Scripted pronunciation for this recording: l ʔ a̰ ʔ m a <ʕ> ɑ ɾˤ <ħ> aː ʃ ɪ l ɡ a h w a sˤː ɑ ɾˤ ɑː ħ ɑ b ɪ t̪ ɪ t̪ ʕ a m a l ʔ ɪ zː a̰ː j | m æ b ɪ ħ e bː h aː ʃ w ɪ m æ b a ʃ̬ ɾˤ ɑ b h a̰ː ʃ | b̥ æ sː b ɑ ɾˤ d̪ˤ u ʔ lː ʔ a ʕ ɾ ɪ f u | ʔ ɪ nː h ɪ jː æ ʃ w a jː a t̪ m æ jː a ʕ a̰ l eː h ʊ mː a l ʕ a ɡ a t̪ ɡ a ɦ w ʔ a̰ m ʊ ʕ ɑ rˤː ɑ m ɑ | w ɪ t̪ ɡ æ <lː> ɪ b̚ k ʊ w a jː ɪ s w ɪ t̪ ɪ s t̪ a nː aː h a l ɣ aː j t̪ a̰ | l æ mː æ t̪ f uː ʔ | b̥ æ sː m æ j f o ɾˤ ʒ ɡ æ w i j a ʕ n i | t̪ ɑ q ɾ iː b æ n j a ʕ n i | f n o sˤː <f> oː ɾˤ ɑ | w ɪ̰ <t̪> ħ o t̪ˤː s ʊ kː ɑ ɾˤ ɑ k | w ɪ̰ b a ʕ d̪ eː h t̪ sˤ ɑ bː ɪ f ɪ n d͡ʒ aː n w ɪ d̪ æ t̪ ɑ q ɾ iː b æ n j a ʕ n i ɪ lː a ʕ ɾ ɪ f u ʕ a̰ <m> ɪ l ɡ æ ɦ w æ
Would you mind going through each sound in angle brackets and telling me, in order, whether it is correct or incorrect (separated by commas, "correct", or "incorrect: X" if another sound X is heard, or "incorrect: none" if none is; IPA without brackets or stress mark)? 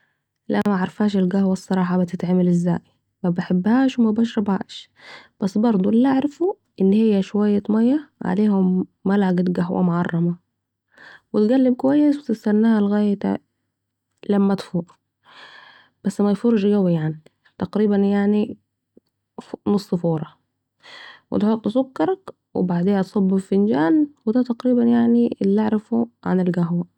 correct, incorrect: f, correct, correct, correct, incorrect: n